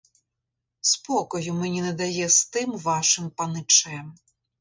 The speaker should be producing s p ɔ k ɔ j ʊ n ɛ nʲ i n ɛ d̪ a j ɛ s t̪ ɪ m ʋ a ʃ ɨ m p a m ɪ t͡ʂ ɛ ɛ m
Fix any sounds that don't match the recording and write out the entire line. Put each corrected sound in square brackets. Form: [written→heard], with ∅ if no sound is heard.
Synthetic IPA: s p ɔ k ɔ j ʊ [n→m] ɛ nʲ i n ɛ d̪ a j ɛ s t̪ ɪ m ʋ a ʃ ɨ m p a [m→n] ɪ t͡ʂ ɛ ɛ m